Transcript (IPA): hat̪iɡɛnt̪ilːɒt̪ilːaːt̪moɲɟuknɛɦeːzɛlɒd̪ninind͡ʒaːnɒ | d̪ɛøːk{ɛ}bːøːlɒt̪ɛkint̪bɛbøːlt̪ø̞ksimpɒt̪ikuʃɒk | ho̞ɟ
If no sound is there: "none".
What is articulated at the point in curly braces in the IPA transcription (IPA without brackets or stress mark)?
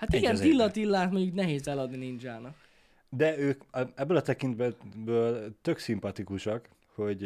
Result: ɛ